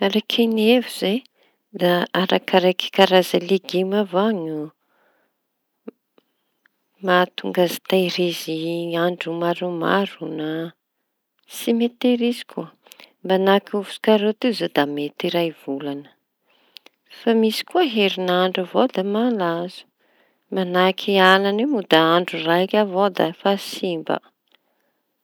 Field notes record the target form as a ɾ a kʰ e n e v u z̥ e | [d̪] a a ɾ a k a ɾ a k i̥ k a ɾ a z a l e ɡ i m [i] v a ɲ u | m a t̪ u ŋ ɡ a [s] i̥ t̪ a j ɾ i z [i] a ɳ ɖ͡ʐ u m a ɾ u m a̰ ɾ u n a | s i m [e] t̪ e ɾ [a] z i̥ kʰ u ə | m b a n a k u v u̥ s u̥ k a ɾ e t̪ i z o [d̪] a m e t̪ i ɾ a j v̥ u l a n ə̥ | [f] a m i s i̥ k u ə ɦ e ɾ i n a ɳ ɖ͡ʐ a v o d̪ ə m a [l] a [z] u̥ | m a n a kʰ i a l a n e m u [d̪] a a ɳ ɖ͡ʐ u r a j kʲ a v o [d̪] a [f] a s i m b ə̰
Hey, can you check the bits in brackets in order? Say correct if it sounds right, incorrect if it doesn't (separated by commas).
correct, incorrect, incorrect, correct, correct, incorrect, correct, correct, correct, correct, correct, correct, correct